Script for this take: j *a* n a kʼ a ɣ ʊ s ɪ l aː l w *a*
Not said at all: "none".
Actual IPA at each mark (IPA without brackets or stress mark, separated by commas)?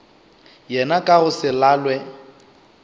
ɛ, ɛ